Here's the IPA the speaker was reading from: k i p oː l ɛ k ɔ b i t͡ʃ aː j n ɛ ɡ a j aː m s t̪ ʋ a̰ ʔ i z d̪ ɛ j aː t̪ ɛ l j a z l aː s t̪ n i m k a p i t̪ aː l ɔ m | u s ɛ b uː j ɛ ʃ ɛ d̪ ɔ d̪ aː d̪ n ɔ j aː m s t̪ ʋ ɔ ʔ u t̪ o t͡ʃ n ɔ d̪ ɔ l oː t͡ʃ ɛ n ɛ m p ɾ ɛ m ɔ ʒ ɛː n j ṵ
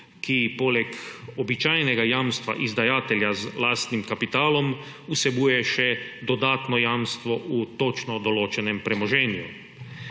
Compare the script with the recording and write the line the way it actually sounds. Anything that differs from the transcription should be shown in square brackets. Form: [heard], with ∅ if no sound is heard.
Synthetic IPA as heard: k i p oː l ɛ k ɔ b i t͡ʃ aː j n ɛ ɡ a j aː m s t̪ ʋ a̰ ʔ i z d̪ [a] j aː t̪ ɛ l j a z l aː s t̪ n i m k a p i t̪ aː l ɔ m | u s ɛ b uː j ɛ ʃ ɛ d̪ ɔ d̪ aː [t̪] n ɔ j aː m s t̪ ʋ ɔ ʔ u t̪ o t͡ʃ n ɔ d̪ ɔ l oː t͡ʃ ɛ n ɛ m p ɾ ɛ m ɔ ʒ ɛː n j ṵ